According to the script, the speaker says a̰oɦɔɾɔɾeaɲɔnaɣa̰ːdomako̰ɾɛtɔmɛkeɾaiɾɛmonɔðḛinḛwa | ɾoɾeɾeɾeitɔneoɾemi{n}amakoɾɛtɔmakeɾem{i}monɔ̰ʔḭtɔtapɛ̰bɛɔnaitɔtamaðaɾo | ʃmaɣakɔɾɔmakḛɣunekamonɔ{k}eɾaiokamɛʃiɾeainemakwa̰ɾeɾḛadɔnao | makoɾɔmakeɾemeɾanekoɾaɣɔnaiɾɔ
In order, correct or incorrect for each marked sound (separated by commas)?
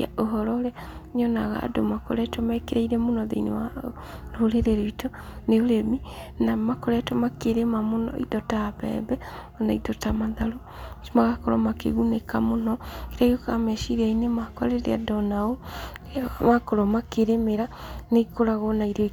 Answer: correct, incorrect, correct